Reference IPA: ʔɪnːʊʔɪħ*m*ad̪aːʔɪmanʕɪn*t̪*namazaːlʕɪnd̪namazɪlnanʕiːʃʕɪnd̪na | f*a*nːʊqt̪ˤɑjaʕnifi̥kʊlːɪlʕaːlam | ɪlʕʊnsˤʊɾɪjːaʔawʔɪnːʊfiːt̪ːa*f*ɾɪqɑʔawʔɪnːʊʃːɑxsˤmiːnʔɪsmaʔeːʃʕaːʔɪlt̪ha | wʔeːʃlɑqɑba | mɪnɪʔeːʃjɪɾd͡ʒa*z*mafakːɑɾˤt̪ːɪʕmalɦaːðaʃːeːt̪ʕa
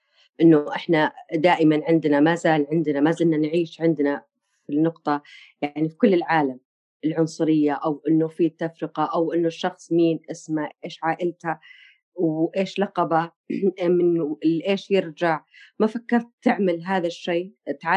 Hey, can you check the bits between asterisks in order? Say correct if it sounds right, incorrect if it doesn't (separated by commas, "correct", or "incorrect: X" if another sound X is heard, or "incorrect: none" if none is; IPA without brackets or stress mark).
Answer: incorrect: n, incorrect: d̪, incorrect: i, correct, incorrect: ʕ